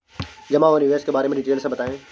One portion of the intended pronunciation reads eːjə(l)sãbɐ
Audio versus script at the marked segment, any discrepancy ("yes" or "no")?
no